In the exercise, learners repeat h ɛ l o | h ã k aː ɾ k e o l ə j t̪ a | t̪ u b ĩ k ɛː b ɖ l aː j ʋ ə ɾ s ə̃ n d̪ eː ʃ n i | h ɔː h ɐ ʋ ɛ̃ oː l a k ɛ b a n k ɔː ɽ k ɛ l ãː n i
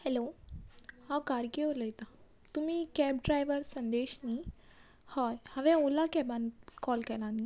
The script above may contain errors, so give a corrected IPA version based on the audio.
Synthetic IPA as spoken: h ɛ l o | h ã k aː ɾ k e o l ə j t̪ a | t̪ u m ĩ k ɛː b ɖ ɾ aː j ʋ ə ɾ s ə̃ n d̪ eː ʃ n i | h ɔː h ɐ ʋ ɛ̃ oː l a k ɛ b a n k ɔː l k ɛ l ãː n i